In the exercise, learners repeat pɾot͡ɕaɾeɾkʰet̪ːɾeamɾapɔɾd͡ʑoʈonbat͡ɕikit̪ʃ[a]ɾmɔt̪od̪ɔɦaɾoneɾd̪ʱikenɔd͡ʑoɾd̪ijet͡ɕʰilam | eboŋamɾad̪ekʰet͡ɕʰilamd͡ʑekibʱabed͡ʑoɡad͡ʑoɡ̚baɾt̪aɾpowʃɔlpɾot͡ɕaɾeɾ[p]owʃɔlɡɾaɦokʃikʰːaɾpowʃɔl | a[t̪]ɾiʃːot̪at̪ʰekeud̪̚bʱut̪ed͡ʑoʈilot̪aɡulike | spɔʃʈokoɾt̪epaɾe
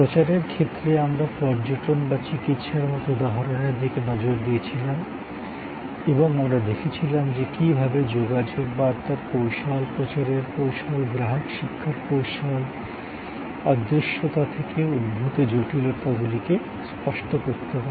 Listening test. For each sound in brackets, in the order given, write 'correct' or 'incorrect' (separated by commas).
correct, correct, incorrect